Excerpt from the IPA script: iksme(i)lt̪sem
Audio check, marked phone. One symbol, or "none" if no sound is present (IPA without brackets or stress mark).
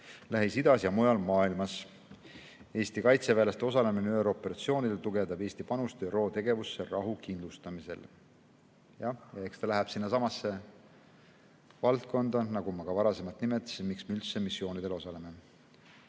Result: y